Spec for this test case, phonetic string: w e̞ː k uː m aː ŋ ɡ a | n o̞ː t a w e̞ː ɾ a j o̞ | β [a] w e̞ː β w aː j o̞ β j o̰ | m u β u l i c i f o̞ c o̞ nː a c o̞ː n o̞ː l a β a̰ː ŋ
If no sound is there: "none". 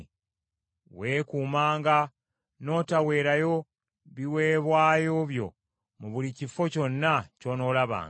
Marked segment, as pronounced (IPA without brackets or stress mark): i